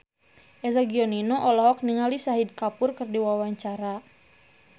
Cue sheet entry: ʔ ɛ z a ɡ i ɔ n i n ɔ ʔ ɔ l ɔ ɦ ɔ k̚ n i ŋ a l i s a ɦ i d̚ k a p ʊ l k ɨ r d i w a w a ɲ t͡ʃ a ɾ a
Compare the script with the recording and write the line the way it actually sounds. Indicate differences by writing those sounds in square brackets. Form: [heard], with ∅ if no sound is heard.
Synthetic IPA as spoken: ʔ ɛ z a ɡ i ɔ n i n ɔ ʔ ɔ l ɔ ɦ ɔ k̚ n i ŋ a l i s a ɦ i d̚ k a p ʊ [r] k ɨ r d i w a w a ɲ t͡ʃ a ɾ a

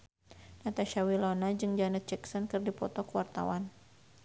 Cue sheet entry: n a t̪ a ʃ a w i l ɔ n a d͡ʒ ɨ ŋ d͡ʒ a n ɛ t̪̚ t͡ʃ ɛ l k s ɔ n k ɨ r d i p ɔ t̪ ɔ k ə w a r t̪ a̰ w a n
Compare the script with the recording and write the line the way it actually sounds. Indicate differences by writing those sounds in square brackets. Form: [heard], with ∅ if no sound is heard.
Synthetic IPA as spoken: n a t̪ a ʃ a w i l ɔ n a d͡ʒ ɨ ŋ d͡ʒ a n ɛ t̪̚ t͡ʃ ɛ [∅] k s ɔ n k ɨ r d i p ɔ t̪ ɔ k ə w a r t̪ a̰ w a n

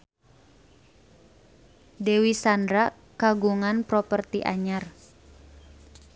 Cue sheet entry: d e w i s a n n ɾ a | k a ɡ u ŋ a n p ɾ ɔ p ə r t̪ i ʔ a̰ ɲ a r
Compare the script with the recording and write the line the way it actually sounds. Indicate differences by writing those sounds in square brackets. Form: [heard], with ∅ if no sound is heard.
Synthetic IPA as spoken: d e w i s a n [d] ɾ a | k a ɡ u ŋ a n p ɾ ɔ p ə r t̪ i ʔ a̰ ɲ a r

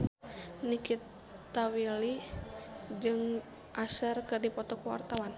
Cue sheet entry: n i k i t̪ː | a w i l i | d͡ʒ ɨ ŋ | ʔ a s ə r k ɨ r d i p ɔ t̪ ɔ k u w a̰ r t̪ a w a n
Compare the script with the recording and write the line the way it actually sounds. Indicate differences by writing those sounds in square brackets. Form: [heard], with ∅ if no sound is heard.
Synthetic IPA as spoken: n i k i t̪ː | a w i l i | d͡ʒ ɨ ŋ | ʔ a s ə r k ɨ r d i p ɔ t̪ ɔ k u w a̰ r t̪ a w a n

